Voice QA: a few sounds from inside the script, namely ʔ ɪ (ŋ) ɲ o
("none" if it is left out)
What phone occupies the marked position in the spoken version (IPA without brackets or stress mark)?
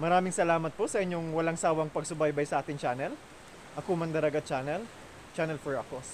ɲ